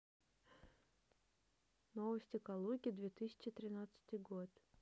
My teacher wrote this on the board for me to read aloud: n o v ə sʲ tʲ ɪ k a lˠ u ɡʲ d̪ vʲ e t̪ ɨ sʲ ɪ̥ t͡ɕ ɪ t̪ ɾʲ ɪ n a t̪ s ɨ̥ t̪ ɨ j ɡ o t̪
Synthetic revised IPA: n o v ə sʲ tʲ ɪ k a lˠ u ɡʲ d̪ vʲ e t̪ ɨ sʲ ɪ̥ t͡ɕ ɪ t̪ ɾʲ ɪ n a t̪ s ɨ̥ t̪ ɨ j ɡ o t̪